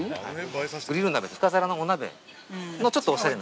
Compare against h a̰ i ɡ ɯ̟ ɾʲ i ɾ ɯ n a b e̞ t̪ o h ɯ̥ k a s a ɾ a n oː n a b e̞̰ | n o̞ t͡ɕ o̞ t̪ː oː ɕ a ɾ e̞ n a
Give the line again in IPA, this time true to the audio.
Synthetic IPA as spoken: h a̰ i ɡ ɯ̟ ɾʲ i ɾ ɯ n a b e̞ t̪ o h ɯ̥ k a z a ɾ a n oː n a b e̞̰ | n o̞ t͡ɕ o̞ t̪ː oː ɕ a ɾ e̞ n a